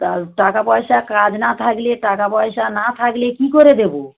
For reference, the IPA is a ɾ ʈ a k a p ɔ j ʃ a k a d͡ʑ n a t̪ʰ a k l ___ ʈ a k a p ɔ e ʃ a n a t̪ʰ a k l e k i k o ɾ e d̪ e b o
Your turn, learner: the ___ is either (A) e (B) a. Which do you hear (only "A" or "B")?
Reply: A